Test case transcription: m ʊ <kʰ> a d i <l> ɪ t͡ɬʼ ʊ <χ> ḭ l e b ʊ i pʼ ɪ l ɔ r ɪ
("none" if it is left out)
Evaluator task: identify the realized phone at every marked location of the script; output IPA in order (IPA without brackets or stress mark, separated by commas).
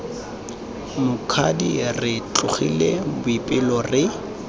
kʰ, r, χ